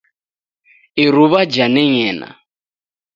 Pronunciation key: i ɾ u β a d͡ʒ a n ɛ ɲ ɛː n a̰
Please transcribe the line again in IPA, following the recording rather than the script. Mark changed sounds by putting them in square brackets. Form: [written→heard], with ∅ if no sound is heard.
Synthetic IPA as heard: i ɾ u β a d͡ʒ a n ɛ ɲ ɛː n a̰

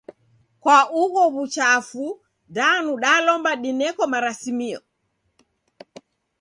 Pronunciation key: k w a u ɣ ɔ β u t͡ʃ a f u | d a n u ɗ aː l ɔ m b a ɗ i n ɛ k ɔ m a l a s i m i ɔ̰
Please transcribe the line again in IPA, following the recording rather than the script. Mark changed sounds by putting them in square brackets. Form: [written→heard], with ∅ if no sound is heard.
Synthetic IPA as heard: k w a u ɣ ɔ β u t͡ʃ a f u | d a n u ɗ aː l ɔ m b a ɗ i n ɛ k ɔ m a [l→ɾ] a s i m i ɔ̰

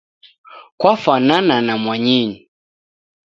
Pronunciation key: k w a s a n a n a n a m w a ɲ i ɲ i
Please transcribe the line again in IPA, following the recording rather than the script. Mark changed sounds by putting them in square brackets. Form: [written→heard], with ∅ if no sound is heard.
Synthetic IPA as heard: k w a [s→f] a n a n a n a m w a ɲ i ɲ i

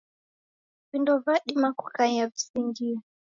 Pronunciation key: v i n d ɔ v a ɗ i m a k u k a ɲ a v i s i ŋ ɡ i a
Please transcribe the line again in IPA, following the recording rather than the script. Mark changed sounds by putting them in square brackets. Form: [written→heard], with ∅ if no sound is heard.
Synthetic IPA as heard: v i n d ɔ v a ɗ i m a k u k a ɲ a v i s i ŋ ɡ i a

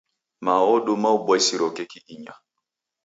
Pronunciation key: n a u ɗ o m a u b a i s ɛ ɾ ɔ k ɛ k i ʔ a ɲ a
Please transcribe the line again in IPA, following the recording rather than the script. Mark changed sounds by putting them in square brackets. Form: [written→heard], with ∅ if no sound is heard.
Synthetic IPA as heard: [n→m] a [u→ɔ] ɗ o m a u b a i s [ɛ→i] ɾ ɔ k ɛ k i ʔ [a→i] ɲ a

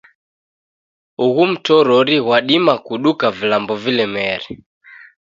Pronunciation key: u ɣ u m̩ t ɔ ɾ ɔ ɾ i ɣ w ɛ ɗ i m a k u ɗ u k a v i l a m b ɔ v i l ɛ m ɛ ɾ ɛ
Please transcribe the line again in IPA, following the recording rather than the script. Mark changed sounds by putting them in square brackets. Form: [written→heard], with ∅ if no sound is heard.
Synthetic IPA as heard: u ɣ u m̩ t ɔ ɾ ɔ ɾ i ɣ w [ɛ→a] ɗ i m a k u ɗ u k a v i l a m b ɔ v i l ɛ m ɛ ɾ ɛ

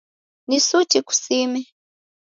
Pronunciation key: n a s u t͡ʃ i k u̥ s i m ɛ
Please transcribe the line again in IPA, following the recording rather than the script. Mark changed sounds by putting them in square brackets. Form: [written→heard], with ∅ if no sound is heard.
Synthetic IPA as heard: n [a→i] s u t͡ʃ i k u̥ s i m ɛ

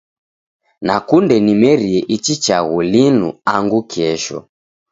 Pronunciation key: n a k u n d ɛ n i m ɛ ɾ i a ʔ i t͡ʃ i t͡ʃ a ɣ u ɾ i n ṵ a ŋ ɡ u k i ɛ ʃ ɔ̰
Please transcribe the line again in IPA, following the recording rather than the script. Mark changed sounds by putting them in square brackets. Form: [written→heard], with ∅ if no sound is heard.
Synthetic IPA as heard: n a k u n d ɛ n i m ɛ ɾ i [a→ɛ] ʔ i t͡ʃ i t͡ʃ a ɣ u [ɾ→l] i n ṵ a ŋ ɡ u k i ɛ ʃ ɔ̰

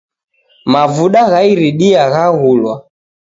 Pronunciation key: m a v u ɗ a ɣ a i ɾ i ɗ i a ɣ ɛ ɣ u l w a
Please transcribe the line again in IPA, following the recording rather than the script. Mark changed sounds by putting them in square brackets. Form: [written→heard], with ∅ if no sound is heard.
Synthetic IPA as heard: m a v u ɗ a ɣ a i ɾ i ɗ i a ɣ [ɛ→a] ɣ u l w a

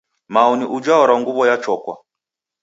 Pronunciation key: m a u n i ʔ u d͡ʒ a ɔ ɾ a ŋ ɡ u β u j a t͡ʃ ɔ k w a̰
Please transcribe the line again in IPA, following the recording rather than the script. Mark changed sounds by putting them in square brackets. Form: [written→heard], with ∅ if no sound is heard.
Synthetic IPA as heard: m a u n i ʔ u d͡ʒ a ɔ ɾ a ŋ ɡ u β [u→ɔ] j a t͡ʃ ɔ k w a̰

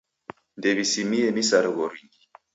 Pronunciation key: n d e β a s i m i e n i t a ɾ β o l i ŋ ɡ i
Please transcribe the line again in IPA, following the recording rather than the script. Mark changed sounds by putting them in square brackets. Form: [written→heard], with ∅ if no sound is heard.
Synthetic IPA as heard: n d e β [a→i] s i m i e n i [t→s] a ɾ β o [l→ɾ] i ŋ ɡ i

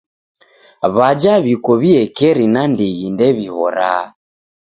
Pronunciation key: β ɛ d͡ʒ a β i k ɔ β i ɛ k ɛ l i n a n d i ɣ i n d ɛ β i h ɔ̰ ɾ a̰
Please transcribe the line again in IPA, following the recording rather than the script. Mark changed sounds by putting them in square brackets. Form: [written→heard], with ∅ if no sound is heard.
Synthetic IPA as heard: β [ɛ→a] d͡ʒ a β i k ɔ β i ɛ k ɛ [l→ɾ] i n a n d i ɣ i n d ɛ β i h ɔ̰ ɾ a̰

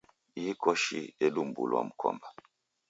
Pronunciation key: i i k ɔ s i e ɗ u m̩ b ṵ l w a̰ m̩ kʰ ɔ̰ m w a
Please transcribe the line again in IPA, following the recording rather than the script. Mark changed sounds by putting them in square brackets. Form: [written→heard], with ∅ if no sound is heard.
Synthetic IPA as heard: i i k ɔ [s→ʃ] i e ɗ u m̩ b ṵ l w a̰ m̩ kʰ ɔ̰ m [w→b] a

